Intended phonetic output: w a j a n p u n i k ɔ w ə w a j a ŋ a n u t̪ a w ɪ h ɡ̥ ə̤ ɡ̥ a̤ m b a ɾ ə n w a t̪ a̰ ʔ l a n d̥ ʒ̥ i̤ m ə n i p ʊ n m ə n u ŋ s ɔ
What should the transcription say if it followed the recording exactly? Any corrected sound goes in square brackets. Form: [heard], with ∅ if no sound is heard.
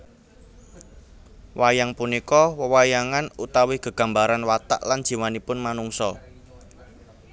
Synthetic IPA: w a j a [ŋ] p u n i k ɔ w ə w a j a ŋ a n u t̪ a w ɪ h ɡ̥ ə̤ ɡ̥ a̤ m b a ɾ [a] n w a t̪ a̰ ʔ l a n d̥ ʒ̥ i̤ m [a] n i p ʊ n m [a] n u ŋ s ɔ